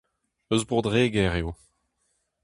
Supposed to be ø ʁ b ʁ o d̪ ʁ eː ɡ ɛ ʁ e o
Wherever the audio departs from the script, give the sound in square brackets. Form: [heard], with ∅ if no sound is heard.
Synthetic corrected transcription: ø [z] b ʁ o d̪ ʁ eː ɡ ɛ ʁ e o